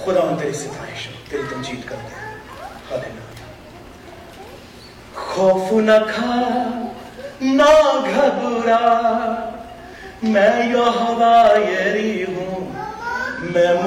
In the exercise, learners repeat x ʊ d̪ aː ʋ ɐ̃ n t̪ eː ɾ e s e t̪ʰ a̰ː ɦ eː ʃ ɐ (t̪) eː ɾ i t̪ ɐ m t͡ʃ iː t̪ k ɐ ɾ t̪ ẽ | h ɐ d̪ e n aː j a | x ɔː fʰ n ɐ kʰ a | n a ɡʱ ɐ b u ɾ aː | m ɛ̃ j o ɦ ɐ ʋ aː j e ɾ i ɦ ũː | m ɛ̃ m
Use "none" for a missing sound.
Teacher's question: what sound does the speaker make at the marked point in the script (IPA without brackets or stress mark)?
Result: t̪